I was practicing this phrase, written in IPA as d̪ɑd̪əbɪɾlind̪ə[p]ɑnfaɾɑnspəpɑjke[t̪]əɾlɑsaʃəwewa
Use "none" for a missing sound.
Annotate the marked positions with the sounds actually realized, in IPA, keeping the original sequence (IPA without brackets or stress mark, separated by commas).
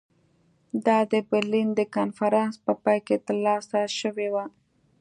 k, t̪